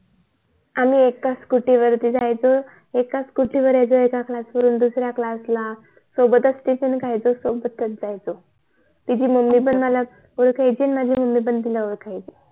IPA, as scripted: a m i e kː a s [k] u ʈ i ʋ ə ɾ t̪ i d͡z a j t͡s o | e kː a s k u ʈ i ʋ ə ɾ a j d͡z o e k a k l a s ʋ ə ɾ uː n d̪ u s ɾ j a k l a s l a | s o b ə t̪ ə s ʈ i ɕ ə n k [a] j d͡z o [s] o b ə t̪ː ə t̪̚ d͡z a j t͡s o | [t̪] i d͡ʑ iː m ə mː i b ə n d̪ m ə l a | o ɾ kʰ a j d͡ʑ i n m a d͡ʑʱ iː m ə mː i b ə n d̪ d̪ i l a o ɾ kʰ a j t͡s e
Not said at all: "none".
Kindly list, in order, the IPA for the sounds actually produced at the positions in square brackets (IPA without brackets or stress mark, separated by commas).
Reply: k, a, s, t̪